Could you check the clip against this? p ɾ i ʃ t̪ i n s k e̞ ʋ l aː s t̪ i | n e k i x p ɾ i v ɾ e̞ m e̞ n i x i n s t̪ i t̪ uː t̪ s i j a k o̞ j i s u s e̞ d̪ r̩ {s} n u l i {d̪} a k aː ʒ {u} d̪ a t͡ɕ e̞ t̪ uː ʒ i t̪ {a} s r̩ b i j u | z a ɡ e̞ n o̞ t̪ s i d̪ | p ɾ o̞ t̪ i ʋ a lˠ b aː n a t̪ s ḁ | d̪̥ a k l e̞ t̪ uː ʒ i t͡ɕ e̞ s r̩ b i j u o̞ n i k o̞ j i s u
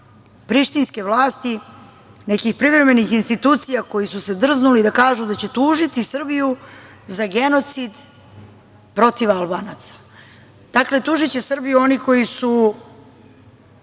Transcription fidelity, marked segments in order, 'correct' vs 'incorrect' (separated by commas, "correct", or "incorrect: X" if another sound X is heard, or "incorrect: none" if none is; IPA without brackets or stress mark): incorrect: z, correct, correct, incorrect: i